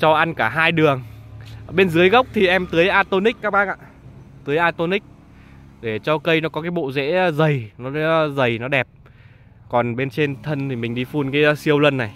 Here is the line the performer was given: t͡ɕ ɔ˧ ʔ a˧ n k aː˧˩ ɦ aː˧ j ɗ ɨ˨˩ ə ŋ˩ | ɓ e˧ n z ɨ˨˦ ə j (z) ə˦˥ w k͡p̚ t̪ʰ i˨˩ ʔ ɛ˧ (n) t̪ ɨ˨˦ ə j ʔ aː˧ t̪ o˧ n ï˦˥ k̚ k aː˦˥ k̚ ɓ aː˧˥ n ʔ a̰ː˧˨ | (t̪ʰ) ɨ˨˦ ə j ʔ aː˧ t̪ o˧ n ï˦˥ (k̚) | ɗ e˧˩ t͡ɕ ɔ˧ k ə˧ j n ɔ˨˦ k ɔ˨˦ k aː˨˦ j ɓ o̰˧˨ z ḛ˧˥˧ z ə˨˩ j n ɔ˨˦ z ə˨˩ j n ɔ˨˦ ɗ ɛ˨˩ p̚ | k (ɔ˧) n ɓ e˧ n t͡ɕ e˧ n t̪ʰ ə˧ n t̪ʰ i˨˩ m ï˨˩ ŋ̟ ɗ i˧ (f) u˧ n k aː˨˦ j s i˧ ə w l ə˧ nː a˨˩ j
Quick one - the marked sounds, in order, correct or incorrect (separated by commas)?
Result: incorrect, incorrect, incorrect, correct, incorrect, correct